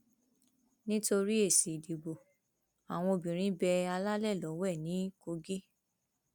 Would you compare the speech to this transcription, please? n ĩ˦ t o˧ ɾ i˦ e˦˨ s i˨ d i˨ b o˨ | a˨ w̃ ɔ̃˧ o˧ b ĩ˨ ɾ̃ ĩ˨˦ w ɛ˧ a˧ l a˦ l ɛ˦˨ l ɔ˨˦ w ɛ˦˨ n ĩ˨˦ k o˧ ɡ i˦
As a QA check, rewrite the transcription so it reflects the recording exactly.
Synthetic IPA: n ĩ˦ t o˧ ɾ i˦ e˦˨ s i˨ d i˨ b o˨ | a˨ w̃ ɔ̃˧ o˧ b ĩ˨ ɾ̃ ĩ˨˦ b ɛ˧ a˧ l a˦ l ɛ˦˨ l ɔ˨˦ w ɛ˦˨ n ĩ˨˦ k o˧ ɡ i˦